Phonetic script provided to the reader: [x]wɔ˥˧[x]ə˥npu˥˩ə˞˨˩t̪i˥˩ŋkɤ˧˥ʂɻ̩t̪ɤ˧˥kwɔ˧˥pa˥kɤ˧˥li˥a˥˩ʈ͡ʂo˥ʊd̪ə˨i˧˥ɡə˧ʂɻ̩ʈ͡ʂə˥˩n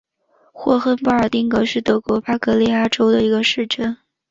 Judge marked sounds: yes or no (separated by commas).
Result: yes, yes